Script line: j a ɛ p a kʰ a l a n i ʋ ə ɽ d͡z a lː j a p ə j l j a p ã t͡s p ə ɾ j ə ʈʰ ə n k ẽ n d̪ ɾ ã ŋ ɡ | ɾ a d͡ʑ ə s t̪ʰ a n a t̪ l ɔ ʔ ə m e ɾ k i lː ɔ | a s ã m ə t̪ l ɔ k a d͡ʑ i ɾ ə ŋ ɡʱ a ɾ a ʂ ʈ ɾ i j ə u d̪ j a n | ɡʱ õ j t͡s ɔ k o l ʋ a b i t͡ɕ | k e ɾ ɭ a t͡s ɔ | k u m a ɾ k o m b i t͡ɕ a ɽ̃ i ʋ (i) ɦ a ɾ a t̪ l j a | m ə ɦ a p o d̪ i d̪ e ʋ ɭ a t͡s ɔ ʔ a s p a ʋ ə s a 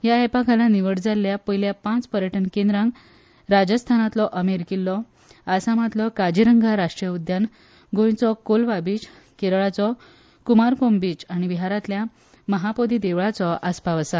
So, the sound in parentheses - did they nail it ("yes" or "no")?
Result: yes